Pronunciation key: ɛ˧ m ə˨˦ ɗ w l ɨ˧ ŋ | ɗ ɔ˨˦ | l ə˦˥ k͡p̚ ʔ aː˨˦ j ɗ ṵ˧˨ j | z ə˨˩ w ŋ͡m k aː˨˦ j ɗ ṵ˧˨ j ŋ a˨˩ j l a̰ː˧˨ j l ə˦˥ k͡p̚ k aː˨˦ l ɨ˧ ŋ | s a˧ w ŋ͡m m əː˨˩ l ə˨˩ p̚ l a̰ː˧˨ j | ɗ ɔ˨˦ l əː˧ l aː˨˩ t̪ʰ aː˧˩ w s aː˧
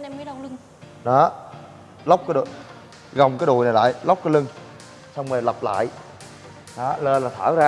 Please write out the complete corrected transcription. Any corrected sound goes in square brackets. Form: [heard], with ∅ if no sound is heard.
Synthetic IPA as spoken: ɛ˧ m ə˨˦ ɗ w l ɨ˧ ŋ | ɗ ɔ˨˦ | l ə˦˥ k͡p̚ [k] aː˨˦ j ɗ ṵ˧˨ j | [ɣ] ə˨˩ w ŋ͡m k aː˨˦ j ɗ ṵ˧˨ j [n] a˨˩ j l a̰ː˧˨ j l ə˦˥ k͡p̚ k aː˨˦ l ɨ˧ ŋ | s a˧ w ŋ͡m m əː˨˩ l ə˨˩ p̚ l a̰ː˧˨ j | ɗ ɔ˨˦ l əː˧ l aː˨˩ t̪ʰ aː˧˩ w [z] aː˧